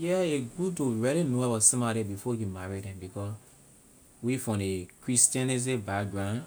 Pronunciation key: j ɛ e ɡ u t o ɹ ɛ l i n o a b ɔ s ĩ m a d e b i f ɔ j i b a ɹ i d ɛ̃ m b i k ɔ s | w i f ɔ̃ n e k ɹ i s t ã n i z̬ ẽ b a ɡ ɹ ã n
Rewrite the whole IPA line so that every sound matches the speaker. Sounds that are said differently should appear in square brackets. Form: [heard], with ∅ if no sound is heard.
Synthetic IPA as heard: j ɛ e ɡ u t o ɹ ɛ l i n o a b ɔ s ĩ m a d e b i f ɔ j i [m] a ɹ i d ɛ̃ m b i k ɔ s | w i f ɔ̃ n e k ɹ i s t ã n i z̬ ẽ b a ɡ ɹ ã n